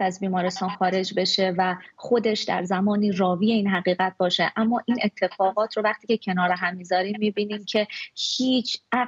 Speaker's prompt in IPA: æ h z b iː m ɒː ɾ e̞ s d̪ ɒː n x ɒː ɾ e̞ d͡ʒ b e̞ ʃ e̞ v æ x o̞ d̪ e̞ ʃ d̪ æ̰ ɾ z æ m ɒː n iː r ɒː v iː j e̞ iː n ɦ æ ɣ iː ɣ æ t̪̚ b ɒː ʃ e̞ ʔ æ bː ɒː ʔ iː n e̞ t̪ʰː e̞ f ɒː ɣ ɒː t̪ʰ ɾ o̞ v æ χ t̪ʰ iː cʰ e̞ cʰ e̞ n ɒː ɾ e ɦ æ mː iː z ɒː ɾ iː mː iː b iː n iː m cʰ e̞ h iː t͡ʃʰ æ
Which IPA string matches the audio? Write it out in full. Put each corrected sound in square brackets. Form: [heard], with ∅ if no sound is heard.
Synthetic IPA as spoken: æ [∅] z b iː m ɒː ɾ e̞ s [t̪] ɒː n x ɒː ɾ e̞ d͡ʒ b e̞ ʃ e̞ v æ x o̞ d̪ e̞ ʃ d̪ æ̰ ɾ z æ m ɒː n iː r ɒː v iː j e̞ iː n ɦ æ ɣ iː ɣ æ t̪̚ b ɒː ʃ e̞ ʔ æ [mː] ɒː ʔ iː n e̞ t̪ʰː e̞ f ɒː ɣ ɒː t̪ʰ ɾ o̞ v æ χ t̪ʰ iː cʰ e̞ cʰ e̞ n ɒː ɾ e ɦ æ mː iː z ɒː ɾ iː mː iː b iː n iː m cʰ e̞ h iː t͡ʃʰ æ